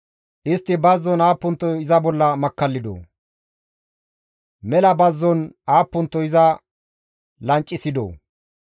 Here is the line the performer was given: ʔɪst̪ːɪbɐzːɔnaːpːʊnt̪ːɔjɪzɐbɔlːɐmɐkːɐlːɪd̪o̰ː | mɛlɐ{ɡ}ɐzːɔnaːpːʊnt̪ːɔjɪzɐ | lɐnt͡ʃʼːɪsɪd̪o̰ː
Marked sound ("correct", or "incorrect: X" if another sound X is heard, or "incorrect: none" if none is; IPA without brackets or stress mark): incorrect: b